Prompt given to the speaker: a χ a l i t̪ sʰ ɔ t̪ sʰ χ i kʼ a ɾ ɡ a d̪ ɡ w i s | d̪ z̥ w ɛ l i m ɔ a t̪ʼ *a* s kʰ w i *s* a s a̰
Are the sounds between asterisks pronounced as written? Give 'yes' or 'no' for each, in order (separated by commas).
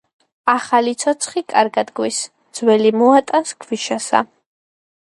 yes, no